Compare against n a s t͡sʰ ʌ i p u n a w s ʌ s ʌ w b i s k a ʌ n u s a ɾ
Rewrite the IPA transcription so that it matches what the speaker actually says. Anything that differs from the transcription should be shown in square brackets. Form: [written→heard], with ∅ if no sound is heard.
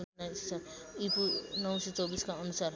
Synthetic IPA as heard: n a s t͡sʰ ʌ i p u n [a→ʌ] w s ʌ [s→t͡s] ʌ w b i s k a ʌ n u s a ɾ

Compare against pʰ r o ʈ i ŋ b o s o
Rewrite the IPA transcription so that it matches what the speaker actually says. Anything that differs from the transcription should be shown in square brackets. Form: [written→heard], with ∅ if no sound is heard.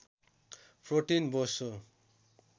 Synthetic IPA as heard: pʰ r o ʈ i [ŋ→n] b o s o

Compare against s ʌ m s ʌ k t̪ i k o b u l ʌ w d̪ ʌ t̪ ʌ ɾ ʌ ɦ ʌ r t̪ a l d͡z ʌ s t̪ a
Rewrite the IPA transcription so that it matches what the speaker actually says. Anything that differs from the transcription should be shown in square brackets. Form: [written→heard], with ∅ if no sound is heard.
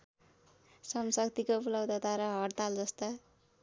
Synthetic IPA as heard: s ʌ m s ʌ k t̪ i k o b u l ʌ w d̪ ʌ t̪ [ʌ→a] ɾ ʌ ɦ ʌ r t̪ a l d͡z ʌ s t̪ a

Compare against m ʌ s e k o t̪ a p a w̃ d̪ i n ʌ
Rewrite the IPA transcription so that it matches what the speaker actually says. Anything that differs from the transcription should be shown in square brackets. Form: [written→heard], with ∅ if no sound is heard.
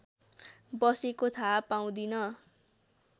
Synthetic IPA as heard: [m→b] ʌ s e k o [t̪→t̪ʰ] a p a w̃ d̪ i n ʌ

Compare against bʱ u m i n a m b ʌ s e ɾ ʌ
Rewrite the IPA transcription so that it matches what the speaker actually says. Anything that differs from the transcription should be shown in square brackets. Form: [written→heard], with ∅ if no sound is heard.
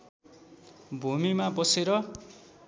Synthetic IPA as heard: bʱ u m i [n→m] a [m→∅] b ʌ s e ɾ ʌ

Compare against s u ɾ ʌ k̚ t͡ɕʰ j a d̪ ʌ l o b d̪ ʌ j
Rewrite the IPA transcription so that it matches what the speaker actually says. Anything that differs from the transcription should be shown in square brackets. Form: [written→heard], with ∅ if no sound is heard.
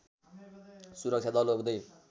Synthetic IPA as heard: s u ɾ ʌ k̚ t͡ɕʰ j a d̪ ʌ l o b d̪ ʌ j

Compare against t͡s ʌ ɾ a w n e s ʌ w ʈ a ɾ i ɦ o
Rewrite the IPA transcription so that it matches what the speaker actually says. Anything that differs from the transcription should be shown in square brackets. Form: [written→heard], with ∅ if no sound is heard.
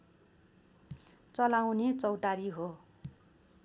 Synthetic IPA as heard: t͡s ʌ [ɾ→l] a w n e [s→t͡s] ʌ w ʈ a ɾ i ɦ o

